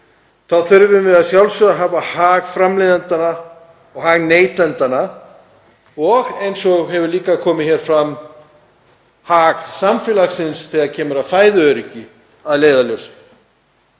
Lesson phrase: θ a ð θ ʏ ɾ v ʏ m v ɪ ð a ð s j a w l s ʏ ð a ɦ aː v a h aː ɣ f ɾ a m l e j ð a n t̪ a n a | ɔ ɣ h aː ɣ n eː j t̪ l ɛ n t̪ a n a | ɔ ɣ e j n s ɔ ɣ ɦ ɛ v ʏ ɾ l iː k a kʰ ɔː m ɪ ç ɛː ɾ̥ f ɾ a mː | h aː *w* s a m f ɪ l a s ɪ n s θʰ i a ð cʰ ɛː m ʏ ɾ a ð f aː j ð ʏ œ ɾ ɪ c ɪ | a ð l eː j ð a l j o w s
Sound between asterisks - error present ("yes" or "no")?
yes